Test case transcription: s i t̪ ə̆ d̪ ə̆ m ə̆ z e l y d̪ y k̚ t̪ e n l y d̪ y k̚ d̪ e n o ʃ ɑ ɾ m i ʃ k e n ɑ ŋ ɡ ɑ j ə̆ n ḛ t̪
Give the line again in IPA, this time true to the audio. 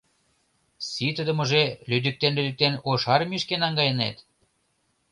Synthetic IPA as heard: s i t̪ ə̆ d̪ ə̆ m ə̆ ʒ e l y d̪ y k̚ t̪ e n l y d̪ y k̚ t̪ e n o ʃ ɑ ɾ m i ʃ k e n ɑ ŋ ɡ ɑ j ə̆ n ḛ t̪